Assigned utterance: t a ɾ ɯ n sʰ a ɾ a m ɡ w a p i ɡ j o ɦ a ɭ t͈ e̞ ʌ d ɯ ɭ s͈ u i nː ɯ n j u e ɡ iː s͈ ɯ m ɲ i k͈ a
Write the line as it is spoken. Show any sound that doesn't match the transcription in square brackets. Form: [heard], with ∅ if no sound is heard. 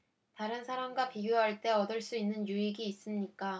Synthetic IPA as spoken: t a ɾ ɯ n sʰ a ɾ a m ɡ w a p i ɡ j o ɦ a ɭ t͈ e̞ ʌ d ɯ ɭ s͈ u i nː ɯ n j u [i] ɡ iː s͈ ɯ m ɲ i k͈ a